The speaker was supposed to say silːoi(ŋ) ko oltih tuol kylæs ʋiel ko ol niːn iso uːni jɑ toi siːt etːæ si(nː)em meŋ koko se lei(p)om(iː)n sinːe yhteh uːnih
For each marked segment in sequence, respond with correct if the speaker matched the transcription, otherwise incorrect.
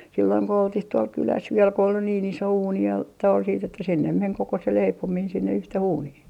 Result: correct, correct, correct, correct

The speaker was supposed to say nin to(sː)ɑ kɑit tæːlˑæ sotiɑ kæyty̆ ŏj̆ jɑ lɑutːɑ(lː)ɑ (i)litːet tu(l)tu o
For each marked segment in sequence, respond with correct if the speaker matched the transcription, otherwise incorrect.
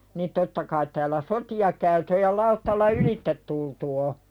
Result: incorrect: tː, correct, incorrect: y, correct

